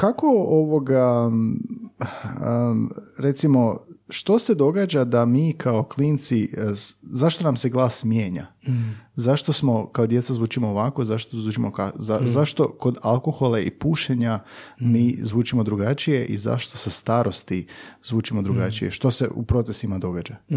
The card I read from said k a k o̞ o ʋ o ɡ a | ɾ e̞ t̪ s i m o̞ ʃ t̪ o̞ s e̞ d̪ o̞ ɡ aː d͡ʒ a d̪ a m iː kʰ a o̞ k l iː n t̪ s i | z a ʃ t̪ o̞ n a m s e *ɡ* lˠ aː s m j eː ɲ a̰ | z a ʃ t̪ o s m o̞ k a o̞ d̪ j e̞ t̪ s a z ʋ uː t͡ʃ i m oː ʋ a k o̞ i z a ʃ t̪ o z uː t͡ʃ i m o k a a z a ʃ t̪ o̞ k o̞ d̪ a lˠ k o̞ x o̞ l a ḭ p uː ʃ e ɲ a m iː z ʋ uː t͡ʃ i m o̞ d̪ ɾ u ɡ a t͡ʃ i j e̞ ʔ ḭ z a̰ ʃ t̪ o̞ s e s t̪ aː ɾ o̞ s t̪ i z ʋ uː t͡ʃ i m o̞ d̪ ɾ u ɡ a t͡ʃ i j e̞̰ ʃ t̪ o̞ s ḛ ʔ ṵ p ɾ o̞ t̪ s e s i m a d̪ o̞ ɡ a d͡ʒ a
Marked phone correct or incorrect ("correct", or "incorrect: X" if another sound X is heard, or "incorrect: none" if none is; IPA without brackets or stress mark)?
correct